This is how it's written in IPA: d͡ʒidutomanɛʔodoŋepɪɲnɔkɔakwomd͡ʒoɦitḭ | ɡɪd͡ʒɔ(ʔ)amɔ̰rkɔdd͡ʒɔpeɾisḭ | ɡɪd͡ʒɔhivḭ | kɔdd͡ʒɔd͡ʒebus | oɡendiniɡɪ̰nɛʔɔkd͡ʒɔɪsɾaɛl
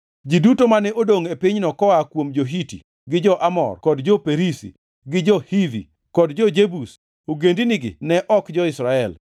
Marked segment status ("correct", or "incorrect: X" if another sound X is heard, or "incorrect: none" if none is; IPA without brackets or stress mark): correct